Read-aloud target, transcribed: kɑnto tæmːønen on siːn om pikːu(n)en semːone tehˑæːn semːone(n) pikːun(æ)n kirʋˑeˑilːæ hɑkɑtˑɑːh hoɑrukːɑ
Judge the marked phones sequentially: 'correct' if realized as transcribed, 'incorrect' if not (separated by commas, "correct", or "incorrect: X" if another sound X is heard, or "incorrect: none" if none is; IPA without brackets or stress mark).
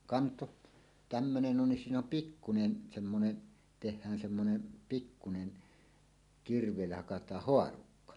correct, correct, incorrect: e